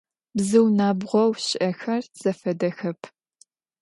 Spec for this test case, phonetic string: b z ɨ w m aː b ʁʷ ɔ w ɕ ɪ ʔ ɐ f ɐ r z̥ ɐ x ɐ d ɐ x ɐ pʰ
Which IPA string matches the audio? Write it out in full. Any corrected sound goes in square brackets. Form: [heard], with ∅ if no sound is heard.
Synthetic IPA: b z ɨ w [n] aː b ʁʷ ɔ w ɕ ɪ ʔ ɐ [x] ɐ r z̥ ɐ [f] ɐ d ɐ x ɐ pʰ